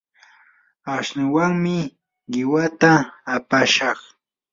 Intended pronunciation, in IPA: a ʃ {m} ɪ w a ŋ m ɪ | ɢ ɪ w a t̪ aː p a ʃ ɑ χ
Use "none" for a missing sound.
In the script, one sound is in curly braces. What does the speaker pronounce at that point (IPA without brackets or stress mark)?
n